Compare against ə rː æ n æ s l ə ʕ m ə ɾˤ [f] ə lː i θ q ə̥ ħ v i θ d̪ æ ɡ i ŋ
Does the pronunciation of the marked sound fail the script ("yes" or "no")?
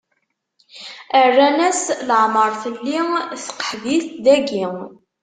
yes